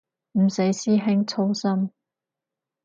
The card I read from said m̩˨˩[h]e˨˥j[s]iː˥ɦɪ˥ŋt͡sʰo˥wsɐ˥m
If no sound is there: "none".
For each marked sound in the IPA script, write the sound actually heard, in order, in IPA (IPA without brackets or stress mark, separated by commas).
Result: s, s